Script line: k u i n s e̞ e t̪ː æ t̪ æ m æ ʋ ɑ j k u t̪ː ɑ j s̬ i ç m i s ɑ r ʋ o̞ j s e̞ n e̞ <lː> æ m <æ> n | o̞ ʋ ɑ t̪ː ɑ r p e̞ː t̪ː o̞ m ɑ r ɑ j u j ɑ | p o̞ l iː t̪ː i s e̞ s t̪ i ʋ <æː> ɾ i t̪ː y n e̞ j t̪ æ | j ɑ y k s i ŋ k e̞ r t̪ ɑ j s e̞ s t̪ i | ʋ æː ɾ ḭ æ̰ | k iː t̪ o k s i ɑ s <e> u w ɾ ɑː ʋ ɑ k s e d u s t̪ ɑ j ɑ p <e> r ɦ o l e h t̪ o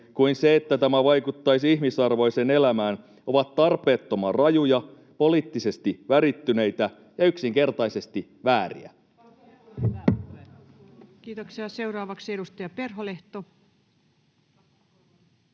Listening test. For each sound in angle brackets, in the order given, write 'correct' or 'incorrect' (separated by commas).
incorrect, incorrect, incorrect, correct, correct